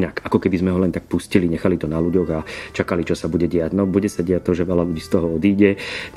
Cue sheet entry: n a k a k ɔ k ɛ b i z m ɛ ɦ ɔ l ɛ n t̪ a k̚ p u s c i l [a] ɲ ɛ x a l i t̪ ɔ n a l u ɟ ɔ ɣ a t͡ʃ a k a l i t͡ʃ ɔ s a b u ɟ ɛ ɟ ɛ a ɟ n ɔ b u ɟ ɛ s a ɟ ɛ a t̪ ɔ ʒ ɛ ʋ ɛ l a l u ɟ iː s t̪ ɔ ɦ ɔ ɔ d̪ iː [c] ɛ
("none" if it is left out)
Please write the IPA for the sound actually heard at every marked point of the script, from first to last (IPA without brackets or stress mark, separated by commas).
i, ɟ